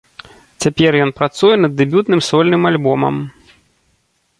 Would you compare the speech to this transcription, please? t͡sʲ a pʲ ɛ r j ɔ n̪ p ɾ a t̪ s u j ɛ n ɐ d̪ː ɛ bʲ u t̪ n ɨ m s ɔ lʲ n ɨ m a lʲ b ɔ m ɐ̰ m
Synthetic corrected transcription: t͡sʲ a pʲ ɛ r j ɔ n̪ p ɾ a t̪ s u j ɛ n ɐ d̪ː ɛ bʲ u t̪ n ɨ m s ɔ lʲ n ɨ m a lʲ b ɔ m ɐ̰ m